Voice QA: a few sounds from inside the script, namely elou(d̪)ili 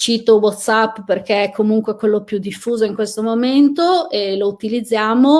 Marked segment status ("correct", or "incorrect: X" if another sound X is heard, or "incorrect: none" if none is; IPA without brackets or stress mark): incorrect: t̪